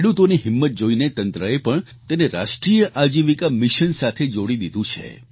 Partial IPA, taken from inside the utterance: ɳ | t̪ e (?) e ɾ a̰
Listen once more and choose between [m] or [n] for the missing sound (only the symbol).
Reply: n